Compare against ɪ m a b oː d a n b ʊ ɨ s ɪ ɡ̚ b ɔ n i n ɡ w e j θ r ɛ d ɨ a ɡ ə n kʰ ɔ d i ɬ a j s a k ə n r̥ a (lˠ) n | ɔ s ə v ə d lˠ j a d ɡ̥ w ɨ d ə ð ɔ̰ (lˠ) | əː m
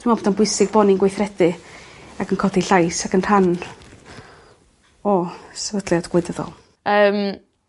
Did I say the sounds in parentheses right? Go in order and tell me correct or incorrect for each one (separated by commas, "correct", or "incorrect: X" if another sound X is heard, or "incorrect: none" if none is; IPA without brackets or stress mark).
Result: incorrect: none, correct